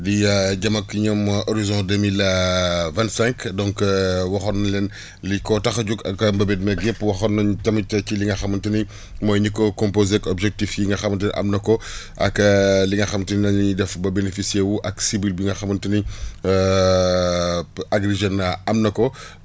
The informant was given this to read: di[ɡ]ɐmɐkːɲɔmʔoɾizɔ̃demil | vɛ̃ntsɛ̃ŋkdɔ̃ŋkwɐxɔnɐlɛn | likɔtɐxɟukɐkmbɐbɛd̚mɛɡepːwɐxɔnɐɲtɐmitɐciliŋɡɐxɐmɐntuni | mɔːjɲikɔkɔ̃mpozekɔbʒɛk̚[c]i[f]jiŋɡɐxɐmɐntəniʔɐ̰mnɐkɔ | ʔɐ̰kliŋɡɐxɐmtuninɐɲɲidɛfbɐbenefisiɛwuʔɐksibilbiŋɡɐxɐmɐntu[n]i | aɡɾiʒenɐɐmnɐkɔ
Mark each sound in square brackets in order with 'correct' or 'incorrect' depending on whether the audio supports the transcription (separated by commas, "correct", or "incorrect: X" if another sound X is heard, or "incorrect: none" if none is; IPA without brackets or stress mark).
incorrect: ɟ, incorrect: t, correct, correct